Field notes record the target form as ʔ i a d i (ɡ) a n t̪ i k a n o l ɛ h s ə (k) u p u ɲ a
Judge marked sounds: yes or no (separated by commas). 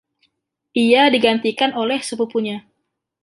yes, no